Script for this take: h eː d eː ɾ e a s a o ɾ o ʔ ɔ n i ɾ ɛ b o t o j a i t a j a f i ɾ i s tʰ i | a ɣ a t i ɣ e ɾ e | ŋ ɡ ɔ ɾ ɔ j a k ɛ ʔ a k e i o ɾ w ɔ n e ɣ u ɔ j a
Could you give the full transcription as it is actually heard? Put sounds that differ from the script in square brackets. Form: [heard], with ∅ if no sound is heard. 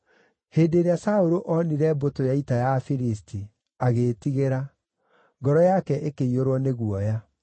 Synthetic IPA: h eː d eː ɾ e a s a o ɾ o ʔ ɔ n i ɾ ɛ b o t o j a i t a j a f i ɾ i s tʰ i | a ɣ [e] t i ɣ e ɾ [a] | ŋ ɡ ɔ ɾ ɔ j a k ɛ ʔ [e] k e i o ɾ w ɔ n e ɣ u ɔ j a